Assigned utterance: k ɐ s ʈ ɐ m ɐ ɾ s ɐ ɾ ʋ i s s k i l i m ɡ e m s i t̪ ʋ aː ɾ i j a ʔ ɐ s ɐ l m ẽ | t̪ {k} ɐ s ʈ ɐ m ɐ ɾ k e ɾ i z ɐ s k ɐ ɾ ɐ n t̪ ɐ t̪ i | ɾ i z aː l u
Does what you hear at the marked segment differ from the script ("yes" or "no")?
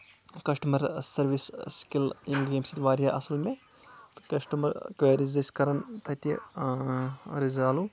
no